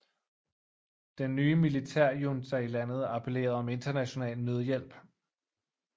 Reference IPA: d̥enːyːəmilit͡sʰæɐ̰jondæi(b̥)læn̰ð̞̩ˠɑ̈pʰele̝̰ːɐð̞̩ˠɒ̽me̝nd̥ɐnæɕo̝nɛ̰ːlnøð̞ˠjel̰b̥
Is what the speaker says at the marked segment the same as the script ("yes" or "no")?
no